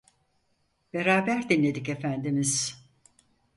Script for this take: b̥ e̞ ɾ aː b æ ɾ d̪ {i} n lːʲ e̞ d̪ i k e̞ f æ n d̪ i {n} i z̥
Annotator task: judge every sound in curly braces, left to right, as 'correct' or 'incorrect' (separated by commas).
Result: correct, incorrect